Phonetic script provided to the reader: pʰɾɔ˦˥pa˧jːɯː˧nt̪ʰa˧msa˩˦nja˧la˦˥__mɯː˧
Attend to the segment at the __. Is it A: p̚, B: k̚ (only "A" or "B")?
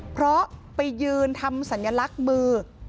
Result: B